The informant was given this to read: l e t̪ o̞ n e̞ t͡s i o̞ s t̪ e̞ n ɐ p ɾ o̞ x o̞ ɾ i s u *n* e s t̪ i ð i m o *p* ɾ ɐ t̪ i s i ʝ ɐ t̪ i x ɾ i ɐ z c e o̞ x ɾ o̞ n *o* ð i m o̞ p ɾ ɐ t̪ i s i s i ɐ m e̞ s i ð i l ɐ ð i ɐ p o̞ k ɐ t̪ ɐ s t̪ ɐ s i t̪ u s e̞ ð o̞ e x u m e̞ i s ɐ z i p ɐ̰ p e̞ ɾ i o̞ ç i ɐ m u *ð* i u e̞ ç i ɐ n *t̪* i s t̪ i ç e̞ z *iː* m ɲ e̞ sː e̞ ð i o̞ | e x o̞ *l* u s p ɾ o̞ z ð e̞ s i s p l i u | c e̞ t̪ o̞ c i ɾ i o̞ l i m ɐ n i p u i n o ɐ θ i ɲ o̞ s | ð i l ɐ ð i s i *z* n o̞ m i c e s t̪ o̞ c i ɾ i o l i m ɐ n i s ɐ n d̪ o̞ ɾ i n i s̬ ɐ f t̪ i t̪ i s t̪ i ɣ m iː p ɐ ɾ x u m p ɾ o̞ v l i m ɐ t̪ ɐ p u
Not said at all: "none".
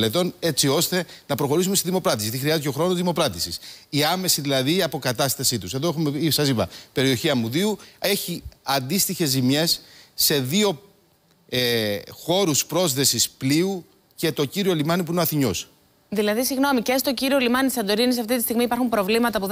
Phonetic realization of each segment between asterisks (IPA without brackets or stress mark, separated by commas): m, p, o, ð, d̪, i, ɾ, ɣ